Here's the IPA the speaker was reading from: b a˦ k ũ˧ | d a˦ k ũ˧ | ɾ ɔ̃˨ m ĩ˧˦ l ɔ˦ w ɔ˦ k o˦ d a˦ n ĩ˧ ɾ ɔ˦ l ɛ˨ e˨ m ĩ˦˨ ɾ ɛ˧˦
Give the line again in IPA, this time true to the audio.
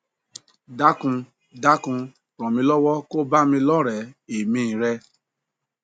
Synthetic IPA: d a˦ k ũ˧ | d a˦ k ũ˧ | ɾ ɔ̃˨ m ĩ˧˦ l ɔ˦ w ɔ˦ k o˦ b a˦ m ĩ˧ l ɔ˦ ɾ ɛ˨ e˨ m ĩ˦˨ ɾ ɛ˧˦